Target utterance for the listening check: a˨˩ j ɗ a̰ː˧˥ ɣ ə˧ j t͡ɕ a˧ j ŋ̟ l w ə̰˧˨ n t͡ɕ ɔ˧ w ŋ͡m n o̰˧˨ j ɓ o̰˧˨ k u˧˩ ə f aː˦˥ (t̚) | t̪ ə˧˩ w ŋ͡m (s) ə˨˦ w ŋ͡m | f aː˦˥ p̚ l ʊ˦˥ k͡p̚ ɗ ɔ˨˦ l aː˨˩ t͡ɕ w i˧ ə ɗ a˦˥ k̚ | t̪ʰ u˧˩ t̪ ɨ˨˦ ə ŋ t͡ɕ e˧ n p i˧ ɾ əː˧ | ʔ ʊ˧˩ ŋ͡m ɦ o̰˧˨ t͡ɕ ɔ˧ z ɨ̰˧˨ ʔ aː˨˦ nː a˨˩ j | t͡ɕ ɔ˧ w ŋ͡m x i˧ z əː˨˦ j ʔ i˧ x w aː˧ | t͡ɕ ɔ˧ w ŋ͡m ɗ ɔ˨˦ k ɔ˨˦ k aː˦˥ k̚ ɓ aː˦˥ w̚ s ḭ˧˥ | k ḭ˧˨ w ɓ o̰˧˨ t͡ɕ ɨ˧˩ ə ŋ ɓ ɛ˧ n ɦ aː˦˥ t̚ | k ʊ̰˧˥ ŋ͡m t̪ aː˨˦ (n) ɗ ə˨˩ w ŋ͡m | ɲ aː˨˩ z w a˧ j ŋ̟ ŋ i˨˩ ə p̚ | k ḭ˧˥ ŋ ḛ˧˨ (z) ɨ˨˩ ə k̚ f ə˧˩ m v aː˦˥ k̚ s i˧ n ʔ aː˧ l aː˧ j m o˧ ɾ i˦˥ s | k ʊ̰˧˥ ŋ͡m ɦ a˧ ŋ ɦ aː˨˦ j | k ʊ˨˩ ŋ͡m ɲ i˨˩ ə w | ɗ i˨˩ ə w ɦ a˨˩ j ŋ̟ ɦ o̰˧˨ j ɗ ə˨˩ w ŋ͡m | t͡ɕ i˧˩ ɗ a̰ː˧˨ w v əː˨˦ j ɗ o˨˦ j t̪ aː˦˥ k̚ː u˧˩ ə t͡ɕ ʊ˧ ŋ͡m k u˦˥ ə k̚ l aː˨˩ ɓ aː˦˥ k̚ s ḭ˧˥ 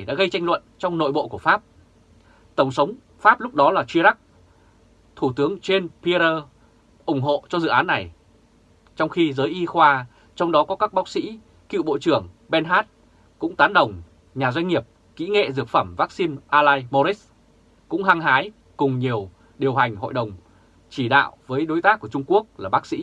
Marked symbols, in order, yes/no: no, yes, yes, yes

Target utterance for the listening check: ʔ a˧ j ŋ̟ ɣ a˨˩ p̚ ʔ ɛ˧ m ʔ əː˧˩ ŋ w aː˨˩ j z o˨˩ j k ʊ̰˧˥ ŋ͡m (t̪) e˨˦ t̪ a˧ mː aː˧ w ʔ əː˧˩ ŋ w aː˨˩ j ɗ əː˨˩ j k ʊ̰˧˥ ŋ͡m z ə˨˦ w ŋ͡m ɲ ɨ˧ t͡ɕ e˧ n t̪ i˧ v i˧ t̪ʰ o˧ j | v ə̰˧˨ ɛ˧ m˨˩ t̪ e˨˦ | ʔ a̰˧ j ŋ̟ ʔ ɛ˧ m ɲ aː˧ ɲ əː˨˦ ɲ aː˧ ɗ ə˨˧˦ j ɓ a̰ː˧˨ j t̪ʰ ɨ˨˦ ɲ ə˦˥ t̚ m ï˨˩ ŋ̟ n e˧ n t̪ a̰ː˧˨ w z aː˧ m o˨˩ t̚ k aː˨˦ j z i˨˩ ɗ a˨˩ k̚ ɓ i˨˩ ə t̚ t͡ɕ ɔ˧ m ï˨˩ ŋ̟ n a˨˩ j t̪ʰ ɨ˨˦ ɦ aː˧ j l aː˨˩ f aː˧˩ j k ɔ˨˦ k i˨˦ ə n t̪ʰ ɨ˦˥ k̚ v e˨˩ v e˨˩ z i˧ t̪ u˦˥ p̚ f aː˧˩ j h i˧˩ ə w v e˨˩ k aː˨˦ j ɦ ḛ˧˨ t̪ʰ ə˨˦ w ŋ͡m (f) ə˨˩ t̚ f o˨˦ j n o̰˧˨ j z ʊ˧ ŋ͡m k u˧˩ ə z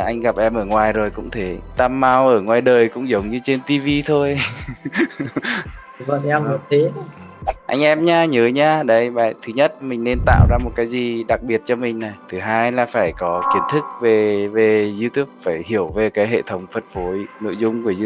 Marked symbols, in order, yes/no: no, yes

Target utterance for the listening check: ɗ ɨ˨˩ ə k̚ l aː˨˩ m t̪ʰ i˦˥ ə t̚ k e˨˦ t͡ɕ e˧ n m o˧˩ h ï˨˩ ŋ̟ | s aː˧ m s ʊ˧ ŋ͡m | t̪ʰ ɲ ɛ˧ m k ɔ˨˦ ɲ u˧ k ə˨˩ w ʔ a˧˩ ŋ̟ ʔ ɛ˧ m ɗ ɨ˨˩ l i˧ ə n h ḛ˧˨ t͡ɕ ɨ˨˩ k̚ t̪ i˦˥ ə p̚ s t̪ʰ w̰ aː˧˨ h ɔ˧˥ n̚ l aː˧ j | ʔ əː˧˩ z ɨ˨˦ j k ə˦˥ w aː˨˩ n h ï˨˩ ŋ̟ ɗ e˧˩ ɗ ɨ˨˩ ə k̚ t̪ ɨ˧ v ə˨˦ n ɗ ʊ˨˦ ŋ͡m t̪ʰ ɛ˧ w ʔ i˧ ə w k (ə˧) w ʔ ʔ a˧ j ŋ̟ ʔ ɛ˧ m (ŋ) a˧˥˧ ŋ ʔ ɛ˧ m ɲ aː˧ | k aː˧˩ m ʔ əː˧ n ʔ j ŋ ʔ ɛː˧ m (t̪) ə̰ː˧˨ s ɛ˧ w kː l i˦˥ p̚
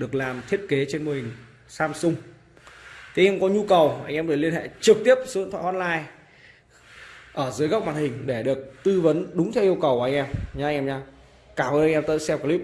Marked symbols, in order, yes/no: no, no, yes

